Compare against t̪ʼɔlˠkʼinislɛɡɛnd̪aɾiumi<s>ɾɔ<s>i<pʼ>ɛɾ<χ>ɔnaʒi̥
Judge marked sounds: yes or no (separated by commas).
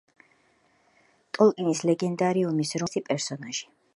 yes, yes, yes, no